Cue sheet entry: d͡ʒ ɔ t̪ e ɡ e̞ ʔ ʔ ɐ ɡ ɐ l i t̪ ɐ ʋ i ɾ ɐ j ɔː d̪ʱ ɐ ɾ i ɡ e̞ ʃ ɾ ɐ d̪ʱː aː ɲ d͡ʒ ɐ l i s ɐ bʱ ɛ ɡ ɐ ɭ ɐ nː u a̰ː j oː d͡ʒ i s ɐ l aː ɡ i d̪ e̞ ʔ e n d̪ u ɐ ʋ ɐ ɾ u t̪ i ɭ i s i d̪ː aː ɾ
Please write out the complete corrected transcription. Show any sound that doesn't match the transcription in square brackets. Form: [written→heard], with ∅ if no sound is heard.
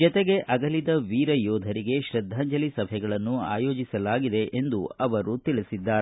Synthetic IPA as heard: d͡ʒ ɔ t̪ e ɡ e̞ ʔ ʔ ɐ ɡ ɐ l i [t̪→d̪] ɐ ʋ [i→iː] ɾ ɐ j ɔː d̪ʱ ɐ ɾ i ɡ e̞ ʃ ɾ ɐ d̪ʱː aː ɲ d͡ʒ ɐ l i s ɐ bʱ ɛ ɡ ɐ ɭ ɐ nː u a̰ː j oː d͡ʒ i s ɐ l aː ɡ i d̪ e̞ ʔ e n d̪ u ɐ ʋ ɐ ɾ u t̪ i ɭ i s i d̪ː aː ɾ